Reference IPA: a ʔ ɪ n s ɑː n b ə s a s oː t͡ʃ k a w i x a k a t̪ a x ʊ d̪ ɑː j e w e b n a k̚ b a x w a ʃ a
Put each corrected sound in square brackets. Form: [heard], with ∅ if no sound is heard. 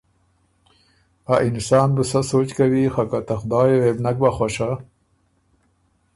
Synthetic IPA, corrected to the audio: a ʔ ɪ n s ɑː n b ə s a s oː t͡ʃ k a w i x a k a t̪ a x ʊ d̪ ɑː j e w e b n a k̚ b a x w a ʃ a